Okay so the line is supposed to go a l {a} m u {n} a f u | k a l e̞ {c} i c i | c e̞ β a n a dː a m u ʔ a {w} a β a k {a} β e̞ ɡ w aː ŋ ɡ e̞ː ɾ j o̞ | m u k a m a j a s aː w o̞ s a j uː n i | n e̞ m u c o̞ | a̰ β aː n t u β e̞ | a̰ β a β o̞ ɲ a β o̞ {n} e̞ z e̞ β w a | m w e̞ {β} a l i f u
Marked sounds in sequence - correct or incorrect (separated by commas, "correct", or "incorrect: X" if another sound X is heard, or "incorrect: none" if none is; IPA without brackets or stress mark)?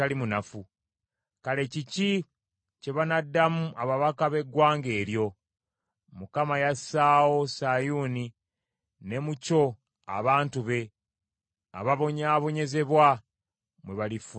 incorrect: i, correct, correct, incorrect: β, correct, incorrect: ɲ, correct